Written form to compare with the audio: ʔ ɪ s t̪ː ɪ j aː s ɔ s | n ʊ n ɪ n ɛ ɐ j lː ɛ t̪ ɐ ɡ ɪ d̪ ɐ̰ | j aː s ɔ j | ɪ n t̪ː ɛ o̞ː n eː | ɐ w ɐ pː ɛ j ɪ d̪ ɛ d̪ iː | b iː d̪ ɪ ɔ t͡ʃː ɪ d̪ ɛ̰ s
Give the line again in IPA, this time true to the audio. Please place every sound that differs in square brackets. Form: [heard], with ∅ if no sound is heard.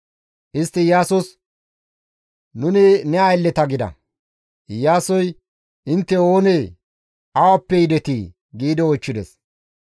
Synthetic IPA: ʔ ɪ s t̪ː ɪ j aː s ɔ s | n ʊ n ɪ n ɛ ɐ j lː ɛ t̪ ɐ ɡ ɪ d̪ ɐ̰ | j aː s ɔ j | ɪ n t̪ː ɛ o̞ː n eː | ɐ w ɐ pː ɛ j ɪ d̪ ɛ [t̪] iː | [ɡ] iː d̪ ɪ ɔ t͡ʃː ɪ d̪ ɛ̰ s